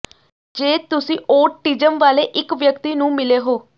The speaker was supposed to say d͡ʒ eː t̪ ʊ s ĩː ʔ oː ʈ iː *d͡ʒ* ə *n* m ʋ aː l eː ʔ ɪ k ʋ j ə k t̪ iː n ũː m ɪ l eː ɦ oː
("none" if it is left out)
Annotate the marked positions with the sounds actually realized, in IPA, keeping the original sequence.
d͡ʒ, none

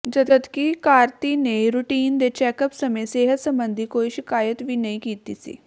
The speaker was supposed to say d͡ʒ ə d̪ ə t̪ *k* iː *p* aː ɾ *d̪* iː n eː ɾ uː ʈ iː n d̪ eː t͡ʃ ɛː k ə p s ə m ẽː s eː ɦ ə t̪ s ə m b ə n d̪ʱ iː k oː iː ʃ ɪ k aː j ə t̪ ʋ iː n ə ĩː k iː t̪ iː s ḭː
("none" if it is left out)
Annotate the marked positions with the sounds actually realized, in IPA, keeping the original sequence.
k, k, t̪

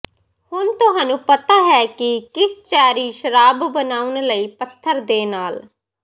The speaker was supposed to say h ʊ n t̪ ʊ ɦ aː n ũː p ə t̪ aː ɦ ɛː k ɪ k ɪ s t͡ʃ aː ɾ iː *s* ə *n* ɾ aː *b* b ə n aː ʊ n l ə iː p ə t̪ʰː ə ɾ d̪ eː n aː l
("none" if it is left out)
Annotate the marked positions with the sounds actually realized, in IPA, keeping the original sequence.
ʃ, none, b

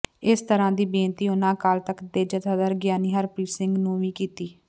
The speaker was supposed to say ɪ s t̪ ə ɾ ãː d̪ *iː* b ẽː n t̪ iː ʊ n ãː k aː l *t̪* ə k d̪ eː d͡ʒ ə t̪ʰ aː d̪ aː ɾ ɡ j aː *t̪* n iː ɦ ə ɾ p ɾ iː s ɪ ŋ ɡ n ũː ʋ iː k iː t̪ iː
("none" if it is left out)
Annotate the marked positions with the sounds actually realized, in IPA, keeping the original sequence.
iː, t̪, none

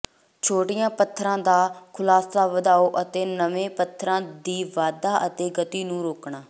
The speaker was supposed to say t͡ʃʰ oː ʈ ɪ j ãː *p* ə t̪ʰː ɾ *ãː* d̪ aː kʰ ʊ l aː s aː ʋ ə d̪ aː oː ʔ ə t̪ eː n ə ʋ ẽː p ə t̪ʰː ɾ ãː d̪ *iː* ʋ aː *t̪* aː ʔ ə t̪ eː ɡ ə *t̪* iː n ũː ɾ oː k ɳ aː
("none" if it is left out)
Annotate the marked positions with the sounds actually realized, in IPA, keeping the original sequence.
p, ãː, iː, d̪, t̪

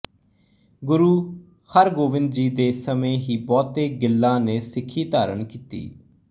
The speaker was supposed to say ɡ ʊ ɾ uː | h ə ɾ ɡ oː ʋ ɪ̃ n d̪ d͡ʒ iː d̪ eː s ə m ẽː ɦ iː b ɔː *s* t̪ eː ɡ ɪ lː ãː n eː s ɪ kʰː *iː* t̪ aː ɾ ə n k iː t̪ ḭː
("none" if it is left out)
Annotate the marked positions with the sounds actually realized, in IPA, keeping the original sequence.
none, iː

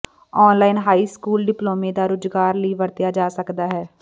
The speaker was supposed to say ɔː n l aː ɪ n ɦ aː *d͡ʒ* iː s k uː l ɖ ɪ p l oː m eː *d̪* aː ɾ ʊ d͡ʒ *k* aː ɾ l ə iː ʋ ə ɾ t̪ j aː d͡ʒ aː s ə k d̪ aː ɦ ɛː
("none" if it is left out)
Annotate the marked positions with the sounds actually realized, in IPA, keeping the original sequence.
none, d̪, ɡ

